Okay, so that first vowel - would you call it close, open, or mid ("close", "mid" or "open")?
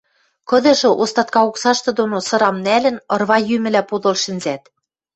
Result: mid